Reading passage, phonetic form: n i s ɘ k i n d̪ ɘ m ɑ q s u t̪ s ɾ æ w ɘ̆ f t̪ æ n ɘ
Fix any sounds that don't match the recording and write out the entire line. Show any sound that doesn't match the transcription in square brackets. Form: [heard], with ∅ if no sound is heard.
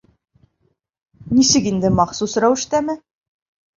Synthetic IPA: n i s ɘ k i n d̪ ɘ m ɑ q s u [∅] s ɾ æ w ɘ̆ [ʃ] t̪ æ [m] ɘ